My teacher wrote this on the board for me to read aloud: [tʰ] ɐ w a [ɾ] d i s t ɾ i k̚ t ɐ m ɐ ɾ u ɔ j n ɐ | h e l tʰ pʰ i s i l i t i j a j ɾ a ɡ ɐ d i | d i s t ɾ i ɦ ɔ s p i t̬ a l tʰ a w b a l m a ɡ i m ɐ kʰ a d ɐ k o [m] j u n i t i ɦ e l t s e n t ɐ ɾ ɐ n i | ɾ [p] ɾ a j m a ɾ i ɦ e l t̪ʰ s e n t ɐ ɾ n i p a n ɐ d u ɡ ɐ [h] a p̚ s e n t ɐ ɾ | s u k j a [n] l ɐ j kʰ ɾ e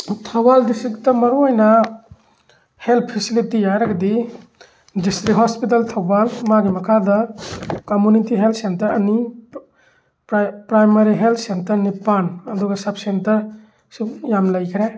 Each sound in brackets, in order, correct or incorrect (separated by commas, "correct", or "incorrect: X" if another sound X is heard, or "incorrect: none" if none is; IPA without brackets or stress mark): correct, incorrect: l, correct, correct, incorrect: s, incorrect: m